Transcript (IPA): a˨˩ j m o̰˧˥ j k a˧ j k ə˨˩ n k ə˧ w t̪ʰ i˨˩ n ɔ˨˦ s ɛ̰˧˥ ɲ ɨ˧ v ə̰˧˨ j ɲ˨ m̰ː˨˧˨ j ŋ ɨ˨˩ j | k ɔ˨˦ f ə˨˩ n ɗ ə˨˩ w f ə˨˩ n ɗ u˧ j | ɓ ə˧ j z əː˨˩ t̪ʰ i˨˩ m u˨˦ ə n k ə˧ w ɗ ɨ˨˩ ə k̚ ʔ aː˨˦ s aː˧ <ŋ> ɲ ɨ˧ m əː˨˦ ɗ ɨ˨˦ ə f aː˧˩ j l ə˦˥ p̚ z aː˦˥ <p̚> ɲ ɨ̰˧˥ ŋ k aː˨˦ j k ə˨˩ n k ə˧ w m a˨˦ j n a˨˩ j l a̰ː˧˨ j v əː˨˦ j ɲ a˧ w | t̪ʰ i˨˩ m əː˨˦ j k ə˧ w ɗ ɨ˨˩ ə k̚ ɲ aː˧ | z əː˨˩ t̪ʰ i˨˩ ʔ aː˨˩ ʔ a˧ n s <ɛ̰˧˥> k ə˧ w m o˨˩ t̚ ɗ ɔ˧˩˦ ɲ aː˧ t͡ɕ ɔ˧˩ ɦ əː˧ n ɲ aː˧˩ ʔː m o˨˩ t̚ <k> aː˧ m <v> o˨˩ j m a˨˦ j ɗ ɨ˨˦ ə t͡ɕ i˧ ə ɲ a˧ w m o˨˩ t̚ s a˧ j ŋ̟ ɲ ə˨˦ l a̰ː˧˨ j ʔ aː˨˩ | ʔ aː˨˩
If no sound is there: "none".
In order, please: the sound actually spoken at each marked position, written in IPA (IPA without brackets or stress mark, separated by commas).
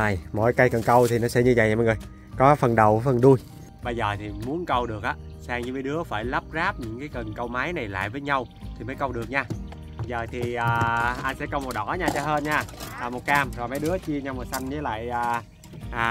ŋ, p̚, ɛ̰˧˥, k, z